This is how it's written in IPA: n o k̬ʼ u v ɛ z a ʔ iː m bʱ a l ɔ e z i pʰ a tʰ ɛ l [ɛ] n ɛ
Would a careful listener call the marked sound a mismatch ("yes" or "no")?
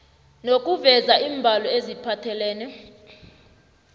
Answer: yes